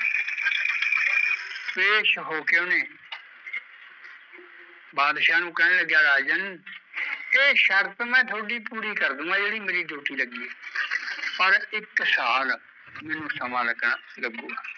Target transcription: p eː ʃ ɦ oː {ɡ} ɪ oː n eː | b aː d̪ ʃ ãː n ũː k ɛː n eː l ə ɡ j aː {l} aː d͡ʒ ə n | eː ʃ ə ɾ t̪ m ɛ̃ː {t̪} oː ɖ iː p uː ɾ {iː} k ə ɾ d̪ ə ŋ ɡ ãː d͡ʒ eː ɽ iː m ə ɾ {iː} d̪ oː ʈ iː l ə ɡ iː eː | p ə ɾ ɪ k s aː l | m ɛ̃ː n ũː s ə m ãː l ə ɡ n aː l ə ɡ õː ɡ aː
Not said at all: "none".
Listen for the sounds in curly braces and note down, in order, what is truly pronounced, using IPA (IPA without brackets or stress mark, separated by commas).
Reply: k, ɾ, t̪ʰ, iː, iː